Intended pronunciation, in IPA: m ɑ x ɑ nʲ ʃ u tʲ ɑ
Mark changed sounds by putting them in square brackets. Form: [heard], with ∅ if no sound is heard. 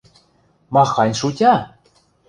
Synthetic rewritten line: m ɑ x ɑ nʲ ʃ u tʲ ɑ